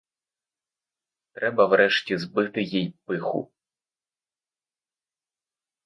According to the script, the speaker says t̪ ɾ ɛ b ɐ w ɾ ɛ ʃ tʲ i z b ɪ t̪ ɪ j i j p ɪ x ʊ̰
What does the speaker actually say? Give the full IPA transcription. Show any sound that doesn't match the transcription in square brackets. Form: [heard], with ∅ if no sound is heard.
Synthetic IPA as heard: t̪ ɾ ɛ b ɐ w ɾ ɛ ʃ tʲ i z b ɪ t̪ ɪ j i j p ɪ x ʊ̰

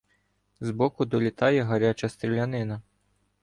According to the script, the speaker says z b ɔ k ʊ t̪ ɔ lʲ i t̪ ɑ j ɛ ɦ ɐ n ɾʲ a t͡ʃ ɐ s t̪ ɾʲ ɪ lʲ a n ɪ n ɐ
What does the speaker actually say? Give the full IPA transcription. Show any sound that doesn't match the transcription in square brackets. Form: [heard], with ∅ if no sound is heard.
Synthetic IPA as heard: z b ɔ k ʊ [d̪] ɔ lʲ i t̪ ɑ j ɛ ɦ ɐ [∅] ɾʲ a t͡ʃ ɐ s t̪ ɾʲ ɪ lʲ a n ɪ n ɐ

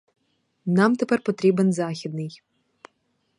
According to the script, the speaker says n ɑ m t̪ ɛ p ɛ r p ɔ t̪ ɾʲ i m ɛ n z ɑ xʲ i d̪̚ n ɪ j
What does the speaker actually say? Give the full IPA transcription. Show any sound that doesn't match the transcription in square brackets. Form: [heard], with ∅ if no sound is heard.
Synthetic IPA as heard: n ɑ m t̪ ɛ p ɛ r p ɔ t̪ ɾʲ i [b] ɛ n z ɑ xʲ i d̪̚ n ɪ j

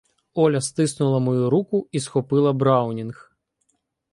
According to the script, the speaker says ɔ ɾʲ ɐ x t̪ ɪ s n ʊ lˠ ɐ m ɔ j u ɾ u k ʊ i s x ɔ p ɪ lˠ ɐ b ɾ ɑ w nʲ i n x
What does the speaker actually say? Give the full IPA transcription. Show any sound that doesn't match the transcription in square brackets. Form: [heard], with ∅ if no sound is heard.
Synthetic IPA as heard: ɔ [lʲ] ɐ [s] t̪ ɪ s n ʊ lˠ ɐ m ɔ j u ɾ u k ʊ i s x ɔ p ɪ lˠ ɐ b ɾ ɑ w nʲ i n x

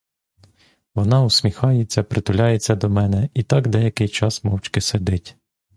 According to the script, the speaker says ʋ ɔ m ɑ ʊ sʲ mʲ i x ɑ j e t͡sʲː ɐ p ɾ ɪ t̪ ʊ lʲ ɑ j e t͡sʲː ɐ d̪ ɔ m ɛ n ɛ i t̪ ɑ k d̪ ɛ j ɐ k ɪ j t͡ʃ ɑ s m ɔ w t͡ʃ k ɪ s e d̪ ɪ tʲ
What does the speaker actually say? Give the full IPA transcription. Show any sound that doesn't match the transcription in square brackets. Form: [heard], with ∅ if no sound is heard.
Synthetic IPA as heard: ʋ ɔ [n] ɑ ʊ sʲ mʲ i x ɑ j e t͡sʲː ɐ p ɾ ɪ t̪ ʊ lʲ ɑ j e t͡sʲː ɐ d̪ ɔ m ɛ n ɛ i t̪ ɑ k d̪ ɛ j ɐ k ɪ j t͡ʃ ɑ s m ɔ w t͡ʃ k ɪ s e d̪ ɪ tʲ

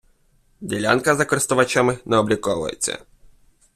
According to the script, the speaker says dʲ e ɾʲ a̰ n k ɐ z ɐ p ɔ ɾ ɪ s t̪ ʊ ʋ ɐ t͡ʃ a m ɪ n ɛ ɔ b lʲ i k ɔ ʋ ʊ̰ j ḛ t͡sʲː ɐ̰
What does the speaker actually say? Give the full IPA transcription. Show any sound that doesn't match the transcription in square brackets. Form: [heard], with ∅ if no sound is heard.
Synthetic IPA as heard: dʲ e [lʲ] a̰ n k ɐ z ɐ [k] ɔ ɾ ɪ s t̪ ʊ ʋ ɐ t͡ʃ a m ɪ n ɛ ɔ b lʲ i k ɔ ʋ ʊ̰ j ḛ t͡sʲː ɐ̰

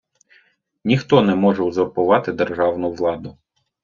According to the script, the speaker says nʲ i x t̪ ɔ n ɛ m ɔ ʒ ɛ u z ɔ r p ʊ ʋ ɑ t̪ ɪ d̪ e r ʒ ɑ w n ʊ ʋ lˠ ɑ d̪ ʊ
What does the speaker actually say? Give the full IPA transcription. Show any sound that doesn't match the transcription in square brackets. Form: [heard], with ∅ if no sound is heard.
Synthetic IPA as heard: nʲ i x t̪ ɔ n ɛ m ɔ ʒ ɛ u z ɔ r p ʊ ʋ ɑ t̪ ɪ d̪ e r ʒ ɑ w n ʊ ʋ lˠ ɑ d̪ ʊ

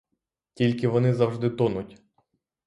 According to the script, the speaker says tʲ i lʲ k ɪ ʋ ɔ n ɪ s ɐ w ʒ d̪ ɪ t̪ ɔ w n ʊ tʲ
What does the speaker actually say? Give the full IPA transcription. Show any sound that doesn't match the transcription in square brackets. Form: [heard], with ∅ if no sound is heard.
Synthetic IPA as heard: tʲ i lʲ k ɪ ʋ ɔ n ɪ [z] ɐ w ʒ d̪ ɪ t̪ ɔ [∅] n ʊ tʲ

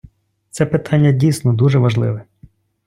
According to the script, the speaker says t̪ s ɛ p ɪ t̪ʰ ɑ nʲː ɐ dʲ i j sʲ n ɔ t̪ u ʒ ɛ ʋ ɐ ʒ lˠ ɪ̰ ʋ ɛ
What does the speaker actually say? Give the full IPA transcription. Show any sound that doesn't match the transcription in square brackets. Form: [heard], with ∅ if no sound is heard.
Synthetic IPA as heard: t̪ s ɛ p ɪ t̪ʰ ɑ nʲː ɐ dʲ i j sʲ n ɔ [d̪] u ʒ ɛ ʋ ɐ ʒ lˠ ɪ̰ ʋ ɛ

